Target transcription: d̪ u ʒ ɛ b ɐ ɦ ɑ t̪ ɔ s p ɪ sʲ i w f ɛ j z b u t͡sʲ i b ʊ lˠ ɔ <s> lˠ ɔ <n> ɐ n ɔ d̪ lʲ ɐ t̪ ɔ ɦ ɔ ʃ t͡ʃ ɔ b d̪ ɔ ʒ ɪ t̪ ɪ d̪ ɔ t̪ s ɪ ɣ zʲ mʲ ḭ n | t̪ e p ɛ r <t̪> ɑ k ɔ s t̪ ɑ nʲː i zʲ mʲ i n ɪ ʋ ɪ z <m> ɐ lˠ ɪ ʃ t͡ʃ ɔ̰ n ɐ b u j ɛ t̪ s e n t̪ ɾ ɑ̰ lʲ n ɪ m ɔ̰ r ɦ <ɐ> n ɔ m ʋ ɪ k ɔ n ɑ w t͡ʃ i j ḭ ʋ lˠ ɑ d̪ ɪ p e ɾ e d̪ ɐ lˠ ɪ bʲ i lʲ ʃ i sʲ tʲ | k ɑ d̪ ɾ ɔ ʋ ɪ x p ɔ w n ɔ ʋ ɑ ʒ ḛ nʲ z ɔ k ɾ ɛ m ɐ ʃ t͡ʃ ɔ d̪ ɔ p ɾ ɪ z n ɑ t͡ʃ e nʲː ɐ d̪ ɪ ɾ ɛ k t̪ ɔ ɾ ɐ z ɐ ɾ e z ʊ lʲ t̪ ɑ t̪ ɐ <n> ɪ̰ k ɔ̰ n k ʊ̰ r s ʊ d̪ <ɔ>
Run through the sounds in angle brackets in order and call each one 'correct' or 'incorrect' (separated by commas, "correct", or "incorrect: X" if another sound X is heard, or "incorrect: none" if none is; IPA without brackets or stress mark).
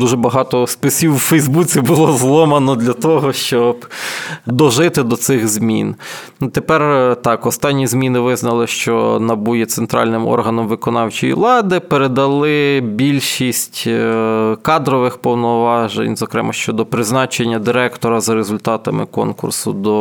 incorrect: z, incorrect: m, correct, incorrect: n, correct, incorrect: m, correct